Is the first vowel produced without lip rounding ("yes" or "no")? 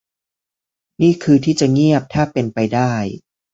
yes